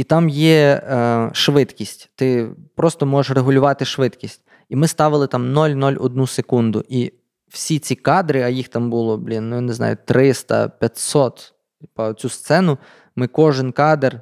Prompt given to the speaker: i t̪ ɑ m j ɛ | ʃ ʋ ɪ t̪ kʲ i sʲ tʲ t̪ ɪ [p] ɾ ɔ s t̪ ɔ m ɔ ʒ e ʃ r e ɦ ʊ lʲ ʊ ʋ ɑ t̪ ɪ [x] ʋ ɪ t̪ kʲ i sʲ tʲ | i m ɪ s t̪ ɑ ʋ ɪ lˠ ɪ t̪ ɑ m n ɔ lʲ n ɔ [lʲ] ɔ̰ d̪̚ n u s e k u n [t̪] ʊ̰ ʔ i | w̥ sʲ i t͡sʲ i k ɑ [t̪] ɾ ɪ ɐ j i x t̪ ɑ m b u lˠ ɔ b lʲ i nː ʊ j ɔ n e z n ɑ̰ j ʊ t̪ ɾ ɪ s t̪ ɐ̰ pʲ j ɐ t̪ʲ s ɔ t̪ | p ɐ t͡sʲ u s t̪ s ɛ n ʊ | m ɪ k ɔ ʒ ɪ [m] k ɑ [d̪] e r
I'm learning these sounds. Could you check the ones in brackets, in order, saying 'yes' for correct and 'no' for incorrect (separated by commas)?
yes, no, yes, no, no, no, yes